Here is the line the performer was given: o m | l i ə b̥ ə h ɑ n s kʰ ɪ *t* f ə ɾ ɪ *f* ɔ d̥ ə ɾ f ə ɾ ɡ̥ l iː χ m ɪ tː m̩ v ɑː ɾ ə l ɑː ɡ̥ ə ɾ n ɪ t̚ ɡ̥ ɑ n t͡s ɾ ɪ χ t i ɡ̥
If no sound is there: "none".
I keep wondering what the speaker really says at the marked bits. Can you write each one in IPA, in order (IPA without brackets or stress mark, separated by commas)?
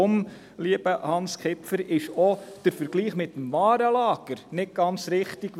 p, ʃ